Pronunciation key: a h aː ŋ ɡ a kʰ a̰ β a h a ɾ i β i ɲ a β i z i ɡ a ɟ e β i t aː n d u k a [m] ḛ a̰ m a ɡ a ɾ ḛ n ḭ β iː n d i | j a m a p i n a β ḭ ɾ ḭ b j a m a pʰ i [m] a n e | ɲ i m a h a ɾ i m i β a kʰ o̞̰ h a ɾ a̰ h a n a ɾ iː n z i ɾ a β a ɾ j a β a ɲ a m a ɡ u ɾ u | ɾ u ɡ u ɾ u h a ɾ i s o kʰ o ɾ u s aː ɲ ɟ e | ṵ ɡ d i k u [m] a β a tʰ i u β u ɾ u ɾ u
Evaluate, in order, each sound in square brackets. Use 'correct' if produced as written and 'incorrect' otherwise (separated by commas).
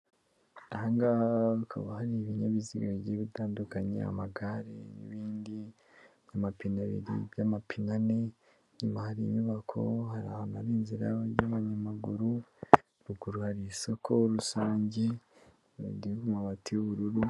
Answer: incorrect, incorrect, correct